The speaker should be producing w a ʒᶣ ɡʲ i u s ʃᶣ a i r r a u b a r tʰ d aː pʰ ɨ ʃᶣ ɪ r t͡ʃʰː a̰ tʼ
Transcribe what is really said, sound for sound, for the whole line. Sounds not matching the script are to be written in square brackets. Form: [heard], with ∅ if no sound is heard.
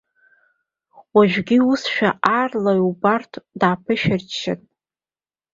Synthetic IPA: w a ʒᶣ ɡʲ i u s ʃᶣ a [a] r [l] a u b a r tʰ d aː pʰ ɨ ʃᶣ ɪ r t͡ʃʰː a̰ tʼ